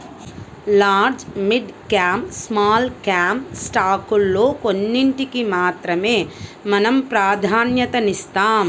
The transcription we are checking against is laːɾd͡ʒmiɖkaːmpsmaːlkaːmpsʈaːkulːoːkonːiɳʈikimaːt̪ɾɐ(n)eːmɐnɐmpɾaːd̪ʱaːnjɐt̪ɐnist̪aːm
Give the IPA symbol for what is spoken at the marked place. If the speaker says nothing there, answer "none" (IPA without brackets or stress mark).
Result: m